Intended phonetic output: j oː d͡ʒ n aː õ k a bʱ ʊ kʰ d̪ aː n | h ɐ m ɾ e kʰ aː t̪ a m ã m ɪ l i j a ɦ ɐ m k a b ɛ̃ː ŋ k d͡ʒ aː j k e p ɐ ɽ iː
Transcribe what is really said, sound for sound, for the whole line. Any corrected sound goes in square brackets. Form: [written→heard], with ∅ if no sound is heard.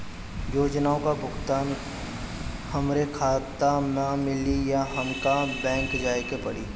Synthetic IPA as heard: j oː d͡ʒ n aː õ k a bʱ ʊ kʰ [d̪→t̪] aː n | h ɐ m ɾ e kʰ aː t̪ a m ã m ɪ l i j a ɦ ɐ m k a b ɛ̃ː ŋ k d͡ʒ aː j k e p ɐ ɽ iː